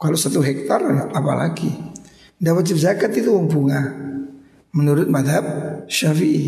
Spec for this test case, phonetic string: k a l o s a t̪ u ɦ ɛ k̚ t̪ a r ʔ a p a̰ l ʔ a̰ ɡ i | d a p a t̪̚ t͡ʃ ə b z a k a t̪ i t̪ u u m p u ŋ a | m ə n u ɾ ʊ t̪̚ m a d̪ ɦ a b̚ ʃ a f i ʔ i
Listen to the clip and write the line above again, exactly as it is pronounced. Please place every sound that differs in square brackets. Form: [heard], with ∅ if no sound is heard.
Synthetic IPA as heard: k a l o s a t̪ u ɦ ɛ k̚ t̪ a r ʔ a p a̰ l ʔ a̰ ɡ i | d a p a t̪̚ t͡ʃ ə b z a k a t̪ i t̪ u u m p u ŋ a | m ə n u ɾ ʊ t̪̚ m a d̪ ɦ a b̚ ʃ a f i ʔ i